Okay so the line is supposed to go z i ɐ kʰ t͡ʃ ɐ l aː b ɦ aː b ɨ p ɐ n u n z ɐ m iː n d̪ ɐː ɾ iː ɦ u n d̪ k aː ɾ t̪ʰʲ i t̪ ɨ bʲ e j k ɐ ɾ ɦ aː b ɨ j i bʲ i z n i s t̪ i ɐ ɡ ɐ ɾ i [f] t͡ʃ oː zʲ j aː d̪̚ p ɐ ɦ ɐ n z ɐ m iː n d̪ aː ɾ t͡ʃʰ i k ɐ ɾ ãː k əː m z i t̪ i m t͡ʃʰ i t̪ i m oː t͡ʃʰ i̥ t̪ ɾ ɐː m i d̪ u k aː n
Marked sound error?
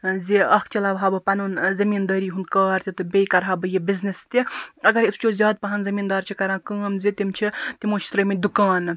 yes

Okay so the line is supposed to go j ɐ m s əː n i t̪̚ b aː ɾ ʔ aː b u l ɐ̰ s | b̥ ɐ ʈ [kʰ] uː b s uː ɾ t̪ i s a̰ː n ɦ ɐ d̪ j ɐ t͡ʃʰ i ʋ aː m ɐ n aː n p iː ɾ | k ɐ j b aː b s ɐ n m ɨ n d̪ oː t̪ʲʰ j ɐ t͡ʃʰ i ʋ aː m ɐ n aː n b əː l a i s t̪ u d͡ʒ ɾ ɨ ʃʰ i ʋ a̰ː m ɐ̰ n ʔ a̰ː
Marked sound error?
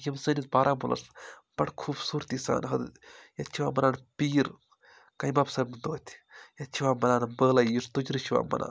no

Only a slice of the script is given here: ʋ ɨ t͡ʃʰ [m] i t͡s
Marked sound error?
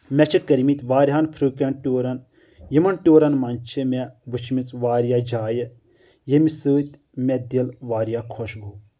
no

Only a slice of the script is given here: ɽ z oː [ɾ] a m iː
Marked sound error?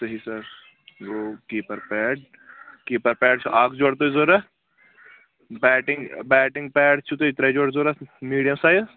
no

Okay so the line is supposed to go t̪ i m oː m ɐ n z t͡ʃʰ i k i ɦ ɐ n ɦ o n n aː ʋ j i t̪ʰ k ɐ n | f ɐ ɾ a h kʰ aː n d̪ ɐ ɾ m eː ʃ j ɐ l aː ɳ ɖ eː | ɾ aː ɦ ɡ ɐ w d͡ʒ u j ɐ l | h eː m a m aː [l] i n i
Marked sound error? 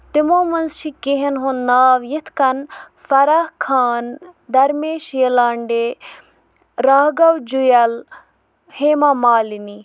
no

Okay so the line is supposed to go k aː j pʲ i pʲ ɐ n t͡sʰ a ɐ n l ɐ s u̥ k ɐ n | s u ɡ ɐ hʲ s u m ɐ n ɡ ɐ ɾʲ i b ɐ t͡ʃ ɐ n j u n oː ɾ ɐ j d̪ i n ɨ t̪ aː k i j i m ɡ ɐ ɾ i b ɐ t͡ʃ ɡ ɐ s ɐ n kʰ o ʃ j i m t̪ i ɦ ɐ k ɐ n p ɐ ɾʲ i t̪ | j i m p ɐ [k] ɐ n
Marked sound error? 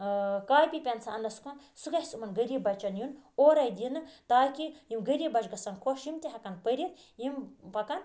no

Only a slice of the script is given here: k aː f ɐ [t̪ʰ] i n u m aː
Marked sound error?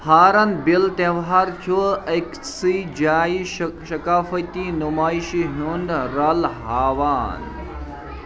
yes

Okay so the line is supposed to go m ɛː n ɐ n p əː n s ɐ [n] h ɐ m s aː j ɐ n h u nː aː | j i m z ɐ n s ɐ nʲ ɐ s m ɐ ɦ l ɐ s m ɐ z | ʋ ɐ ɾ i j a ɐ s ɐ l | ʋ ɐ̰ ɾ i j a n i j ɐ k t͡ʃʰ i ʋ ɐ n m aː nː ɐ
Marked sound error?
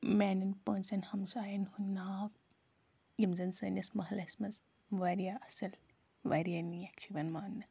no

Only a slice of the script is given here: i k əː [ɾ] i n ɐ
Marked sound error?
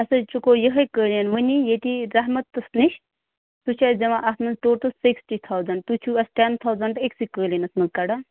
yes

